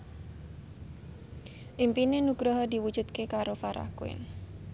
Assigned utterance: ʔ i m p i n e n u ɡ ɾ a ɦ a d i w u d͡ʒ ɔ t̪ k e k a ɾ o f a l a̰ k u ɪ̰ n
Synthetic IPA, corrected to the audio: ʔ i m p i n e n u ɡ ɾ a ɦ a d i w u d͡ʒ u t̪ k e k a ɾ o f a ɾ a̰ k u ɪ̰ n